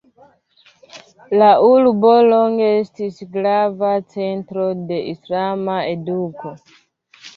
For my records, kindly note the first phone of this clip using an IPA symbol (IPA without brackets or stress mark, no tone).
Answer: l